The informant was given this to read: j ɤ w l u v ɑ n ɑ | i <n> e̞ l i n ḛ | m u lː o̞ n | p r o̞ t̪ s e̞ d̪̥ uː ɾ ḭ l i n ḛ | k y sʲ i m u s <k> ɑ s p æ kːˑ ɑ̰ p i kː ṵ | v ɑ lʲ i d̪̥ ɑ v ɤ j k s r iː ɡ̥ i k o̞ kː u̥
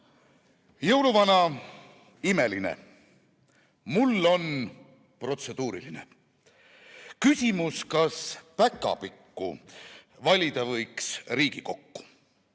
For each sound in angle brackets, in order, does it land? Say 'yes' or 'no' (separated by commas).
no, yes